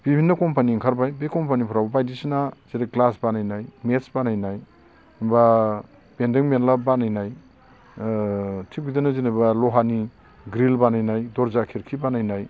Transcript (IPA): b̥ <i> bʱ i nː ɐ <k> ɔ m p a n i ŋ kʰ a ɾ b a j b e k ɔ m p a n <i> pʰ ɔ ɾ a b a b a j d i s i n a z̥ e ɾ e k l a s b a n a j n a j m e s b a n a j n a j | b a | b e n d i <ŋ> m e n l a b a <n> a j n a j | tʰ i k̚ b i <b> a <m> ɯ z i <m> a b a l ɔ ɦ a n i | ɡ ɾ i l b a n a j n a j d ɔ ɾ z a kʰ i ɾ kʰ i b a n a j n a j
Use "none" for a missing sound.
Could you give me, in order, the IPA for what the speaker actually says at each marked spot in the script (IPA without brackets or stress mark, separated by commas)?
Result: i, k, i, ŋ, n, d, n, n